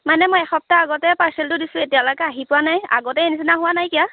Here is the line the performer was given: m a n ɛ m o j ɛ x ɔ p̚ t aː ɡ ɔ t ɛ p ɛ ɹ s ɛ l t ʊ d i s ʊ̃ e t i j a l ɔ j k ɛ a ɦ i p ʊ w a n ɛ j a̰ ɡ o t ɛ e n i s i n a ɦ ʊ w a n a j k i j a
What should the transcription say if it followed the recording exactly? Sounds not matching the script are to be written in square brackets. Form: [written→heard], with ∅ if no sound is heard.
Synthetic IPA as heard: m a n ɛ m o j ɛ x ɔ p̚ t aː ɡ ɔ t ɛ p [ɛ→a] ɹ s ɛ l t ʊ d i s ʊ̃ e t i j a l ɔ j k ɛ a ɦ i p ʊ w a n [ɛ→a] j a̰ ɡ [o→ɔ] t ɛ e n i s i n a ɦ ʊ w a n a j k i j a